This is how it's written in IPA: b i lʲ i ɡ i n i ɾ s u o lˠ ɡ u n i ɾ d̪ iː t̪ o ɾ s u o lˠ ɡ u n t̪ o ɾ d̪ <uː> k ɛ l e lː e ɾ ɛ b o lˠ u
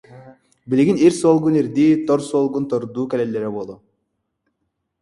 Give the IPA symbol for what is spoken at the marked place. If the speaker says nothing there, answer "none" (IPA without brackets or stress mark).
uː